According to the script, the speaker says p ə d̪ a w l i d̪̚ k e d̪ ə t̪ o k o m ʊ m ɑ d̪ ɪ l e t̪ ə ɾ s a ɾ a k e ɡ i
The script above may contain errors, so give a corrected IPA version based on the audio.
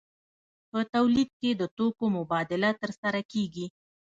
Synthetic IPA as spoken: p ə t̪ a w l i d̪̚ k e d̪ ə t̪ o k o m ʊ b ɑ d̪ ɪ l a t̪ ə ɾ s a ɾ a k e ɡ i